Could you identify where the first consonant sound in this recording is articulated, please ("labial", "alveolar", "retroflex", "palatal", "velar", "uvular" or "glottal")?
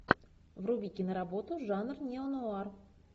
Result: labial